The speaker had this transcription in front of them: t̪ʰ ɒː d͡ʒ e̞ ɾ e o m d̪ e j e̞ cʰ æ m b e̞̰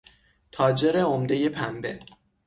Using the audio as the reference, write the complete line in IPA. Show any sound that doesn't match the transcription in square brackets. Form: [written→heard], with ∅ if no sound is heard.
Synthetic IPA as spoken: t̪ʰ ɒː d͡ʒ e̞ ɾ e o m d̪ e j e̞ [cʰ→pʰ] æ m b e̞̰

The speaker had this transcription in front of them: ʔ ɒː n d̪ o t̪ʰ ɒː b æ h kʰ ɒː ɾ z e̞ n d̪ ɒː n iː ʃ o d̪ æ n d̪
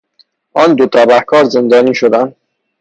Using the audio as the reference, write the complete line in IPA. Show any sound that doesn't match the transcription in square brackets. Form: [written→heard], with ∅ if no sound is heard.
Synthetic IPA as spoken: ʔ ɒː n d̪ o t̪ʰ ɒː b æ h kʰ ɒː ɾ z e̞ n d̪ ɒː n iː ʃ o d̪ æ n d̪

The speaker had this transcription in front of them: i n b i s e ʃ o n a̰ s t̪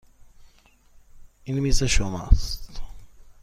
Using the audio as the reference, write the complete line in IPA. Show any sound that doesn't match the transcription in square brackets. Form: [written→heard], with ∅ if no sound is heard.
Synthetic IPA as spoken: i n [b→m] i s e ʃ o [n→m] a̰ s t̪

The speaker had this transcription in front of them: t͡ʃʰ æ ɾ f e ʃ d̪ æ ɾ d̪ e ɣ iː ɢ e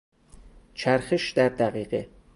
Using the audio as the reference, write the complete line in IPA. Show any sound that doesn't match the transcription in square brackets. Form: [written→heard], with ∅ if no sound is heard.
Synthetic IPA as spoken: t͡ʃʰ æ ɾ [f→x] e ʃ d̪ æ ɾ d̪ [e→æ] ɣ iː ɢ e

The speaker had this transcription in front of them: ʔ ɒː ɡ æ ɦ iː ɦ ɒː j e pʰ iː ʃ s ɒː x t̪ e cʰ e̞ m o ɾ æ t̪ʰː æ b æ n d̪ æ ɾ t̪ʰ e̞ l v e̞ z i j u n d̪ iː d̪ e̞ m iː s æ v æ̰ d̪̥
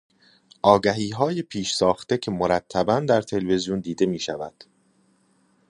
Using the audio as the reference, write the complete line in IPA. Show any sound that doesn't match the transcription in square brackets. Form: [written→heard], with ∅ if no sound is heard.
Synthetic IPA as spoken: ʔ ɒː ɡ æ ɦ iː ɦ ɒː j e pʰ iː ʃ s ɒː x t̪ e cʰ e̞ m o ɾ æ t̪ʰː æ b æ n d̪ æ ɾ t̪ʰ e̞ l v e̞ z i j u n d̪ iː d̪ e̞ m iː [s→ʃ] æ v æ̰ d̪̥

